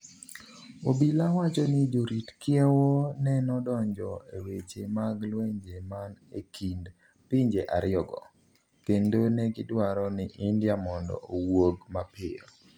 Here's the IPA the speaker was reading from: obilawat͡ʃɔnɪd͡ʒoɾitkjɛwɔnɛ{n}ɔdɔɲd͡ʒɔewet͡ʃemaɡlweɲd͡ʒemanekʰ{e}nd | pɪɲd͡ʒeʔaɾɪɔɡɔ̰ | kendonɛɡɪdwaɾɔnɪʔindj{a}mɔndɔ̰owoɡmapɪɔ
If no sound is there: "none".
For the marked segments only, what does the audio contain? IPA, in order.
n, i, a

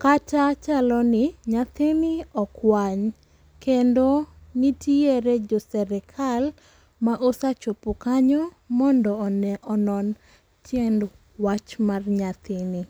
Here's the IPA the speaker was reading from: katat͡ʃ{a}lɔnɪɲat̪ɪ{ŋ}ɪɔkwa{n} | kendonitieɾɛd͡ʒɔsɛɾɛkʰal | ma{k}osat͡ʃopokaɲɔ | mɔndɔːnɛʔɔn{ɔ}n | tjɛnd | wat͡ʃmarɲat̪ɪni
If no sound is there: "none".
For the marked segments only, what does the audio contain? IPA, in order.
a, n, ɲ, ʔ, ɔ

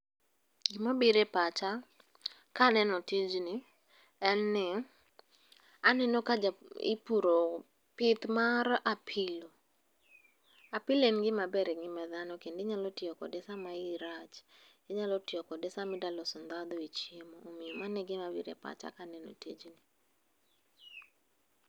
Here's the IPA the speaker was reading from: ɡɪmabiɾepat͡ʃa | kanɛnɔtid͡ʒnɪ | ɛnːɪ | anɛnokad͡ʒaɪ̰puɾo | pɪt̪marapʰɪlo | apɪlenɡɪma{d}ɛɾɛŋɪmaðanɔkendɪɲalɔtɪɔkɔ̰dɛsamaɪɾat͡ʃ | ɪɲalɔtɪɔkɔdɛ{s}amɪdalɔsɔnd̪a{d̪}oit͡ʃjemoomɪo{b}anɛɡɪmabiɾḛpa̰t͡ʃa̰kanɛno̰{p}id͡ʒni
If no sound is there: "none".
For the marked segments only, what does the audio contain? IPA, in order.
b, s, d̪, m, t

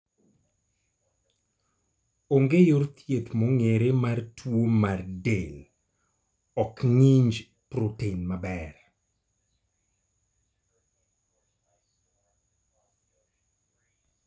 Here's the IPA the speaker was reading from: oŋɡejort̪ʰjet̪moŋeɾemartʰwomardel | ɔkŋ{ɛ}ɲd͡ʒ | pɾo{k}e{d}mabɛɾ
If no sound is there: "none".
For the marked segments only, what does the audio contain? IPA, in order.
i, t, n

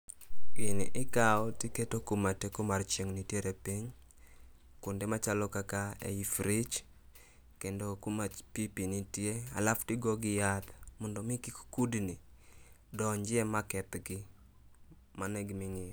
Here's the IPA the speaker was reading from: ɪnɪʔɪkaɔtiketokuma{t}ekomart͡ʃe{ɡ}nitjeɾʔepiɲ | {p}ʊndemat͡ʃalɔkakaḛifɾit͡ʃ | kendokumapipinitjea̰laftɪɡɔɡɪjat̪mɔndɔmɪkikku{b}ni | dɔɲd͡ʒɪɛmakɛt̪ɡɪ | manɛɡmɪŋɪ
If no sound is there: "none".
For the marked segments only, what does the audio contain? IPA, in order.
t, ŋ, k, d

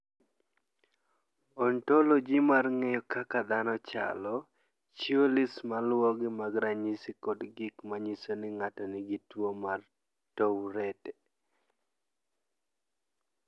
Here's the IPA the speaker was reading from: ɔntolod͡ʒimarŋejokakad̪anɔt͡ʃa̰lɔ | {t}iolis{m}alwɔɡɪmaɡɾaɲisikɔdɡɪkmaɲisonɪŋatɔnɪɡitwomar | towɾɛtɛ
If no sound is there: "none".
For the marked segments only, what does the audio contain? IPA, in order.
t͡ʃ, m

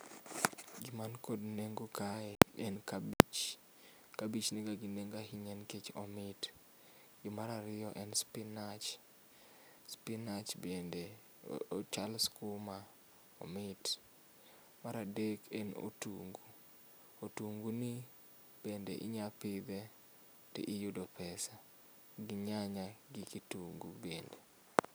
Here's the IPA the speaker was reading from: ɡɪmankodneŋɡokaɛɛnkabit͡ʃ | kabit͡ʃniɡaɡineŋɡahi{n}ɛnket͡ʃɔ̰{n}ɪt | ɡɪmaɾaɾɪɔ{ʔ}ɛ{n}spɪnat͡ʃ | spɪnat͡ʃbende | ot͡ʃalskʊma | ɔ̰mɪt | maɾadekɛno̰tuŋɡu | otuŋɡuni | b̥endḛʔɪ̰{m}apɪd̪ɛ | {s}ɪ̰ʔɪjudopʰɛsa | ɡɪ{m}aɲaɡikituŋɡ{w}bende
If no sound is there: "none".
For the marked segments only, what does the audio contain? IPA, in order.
ɲ, m, ʔ, n, ɲ, t, ɲ, u

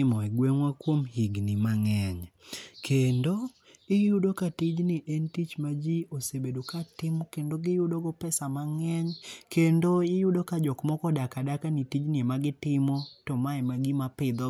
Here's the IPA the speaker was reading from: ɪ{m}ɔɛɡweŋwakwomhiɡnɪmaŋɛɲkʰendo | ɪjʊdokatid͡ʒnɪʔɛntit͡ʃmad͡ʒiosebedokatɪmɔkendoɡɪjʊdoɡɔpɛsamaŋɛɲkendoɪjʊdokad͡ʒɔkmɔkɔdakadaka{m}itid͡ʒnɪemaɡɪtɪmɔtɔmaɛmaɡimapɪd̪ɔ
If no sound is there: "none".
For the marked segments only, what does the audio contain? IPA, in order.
m, n

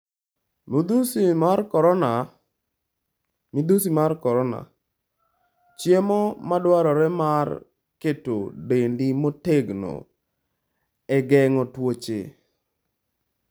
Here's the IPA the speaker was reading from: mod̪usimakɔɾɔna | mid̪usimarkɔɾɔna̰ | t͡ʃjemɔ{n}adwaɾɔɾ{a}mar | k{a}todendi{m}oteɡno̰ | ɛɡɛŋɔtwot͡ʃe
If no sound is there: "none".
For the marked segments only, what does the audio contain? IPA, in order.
m, ɛ, e, m

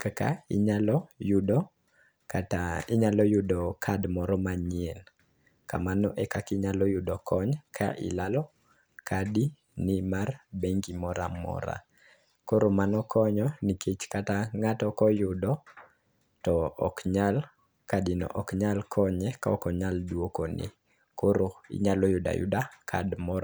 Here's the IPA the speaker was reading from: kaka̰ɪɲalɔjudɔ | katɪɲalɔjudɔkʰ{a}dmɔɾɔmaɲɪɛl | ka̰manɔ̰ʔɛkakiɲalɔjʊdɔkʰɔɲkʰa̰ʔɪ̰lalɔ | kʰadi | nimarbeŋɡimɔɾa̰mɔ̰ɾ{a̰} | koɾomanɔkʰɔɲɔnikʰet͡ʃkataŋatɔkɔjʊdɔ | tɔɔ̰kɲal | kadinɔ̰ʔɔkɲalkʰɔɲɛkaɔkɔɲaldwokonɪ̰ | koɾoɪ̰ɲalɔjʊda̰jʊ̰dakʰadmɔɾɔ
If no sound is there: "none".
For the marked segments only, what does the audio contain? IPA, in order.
a, a̰

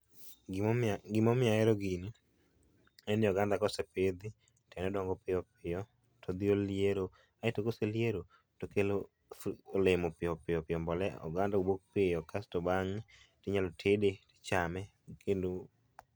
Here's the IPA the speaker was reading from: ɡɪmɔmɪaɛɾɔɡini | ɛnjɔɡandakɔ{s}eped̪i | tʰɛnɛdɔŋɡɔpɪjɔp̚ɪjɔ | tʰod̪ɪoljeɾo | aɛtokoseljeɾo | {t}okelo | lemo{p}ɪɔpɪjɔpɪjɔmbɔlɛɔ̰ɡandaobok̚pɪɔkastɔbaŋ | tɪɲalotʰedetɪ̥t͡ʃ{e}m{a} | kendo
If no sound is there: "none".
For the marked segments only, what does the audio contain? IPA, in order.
s, t, p, a, ɛ

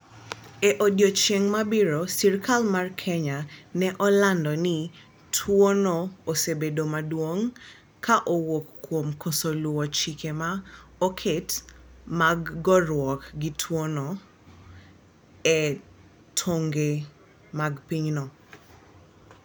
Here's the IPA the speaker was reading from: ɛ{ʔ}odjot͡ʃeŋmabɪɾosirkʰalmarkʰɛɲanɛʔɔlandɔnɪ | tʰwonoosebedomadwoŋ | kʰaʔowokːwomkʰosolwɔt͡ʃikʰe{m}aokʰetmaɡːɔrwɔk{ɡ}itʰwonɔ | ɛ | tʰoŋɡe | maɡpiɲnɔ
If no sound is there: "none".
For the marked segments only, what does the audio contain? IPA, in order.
ʔ, m, ɡ

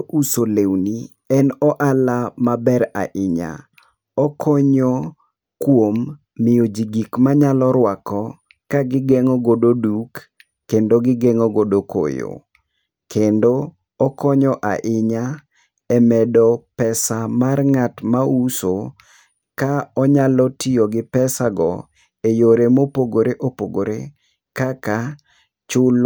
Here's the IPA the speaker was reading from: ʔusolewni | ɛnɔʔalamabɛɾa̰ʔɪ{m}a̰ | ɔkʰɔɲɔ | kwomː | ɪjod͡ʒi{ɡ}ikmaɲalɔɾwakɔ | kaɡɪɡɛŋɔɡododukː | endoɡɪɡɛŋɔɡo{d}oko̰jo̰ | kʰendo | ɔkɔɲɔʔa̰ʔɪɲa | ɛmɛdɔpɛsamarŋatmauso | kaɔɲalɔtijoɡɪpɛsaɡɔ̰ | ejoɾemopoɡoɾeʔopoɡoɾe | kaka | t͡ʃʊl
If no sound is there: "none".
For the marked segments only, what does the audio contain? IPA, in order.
ɲ, ɡ, d

